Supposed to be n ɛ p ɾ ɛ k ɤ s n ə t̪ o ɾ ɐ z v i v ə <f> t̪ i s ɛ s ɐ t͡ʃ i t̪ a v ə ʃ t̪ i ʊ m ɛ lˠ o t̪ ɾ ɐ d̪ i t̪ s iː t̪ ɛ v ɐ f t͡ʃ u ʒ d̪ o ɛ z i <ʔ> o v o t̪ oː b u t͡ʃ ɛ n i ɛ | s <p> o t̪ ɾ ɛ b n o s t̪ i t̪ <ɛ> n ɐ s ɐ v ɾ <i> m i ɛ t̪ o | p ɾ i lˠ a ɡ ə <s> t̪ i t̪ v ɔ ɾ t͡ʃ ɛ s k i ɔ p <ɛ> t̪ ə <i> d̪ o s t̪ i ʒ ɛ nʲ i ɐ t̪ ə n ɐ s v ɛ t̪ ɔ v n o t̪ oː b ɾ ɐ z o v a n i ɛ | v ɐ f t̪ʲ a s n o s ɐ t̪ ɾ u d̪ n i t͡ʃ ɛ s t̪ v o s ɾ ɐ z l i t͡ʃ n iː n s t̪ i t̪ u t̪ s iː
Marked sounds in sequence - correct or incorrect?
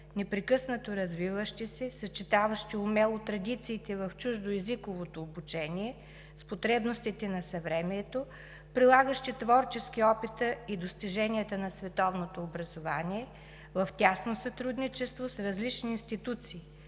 incorrect, incorrect, correct, correct, incorrect, incorrect, incorrect, correct

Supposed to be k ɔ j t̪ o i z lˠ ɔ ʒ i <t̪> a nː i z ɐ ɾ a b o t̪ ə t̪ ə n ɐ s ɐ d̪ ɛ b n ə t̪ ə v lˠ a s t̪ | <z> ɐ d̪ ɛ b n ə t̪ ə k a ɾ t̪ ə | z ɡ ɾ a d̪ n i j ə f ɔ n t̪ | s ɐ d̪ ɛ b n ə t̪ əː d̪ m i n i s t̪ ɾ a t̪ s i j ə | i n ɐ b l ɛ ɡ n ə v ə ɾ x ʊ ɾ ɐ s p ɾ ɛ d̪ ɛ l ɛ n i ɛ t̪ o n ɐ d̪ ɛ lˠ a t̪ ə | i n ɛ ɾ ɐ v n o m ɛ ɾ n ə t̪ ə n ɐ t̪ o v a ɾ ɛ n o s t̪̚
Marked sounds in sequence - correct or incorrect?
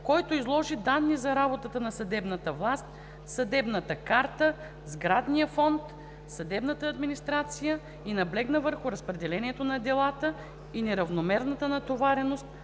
incorrect, incorrect

